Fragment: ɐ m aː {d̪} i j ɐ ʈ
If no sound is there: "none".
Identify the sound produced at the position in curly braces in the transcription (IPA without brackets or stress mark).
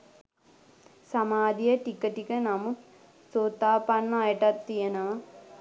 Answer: d̪